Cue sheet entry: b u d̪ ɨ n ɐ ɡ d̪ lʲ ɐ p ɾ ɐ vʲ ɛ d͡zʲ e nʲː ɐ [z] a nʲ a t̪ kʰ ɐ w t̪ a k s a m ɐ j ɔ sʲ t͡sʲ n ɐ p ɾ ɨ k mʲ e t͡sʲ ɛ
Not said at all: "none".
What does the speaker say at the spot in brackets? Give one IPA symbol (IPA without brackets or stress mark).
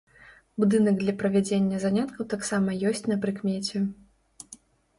z